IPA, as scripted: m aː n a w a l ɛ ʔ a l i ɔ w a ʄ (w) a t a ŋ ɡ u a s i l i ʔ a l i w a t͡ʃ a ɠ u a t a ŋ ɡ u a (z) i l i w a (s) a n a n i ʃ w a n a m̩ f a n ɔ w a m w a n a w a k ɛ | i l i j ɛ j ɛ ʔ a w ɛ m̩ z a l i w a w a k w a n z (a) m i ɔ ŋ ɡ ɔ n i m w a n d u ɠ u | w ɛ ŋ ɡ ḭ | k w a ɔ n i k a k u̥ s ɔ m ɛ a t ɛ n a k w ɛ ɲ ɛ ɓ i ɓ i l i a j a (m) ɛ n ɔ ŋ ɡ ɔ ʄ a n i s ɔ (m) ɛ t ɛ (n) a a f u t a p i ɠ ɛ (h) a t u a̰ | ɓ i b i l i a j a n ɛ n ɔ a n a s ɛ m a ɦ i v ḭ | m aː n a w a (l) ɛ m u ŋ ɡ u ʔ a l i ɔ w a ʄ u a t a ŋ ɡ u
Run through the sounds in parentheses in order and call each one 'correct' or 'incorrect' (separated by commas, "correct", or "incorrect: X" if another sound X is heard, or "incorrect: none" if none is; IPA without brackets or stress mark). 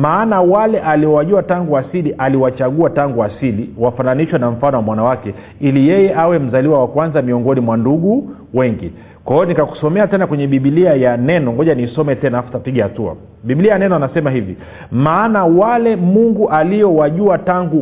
incorrect: u, incorrect: s, incorrect: f, correct, incorrect: n, correct, correct, correct, correct